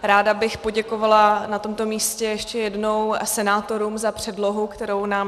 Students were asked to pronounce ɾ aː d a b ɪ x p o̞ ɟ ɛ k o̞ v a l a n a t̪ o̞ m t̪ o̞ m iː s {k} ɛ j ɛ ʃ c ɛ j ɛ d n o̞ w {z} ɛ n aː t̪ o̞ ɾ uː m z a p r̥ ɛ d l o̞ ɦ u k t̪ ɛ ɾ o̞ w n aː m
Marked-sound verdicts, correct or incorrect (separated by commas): incorrect, incorrect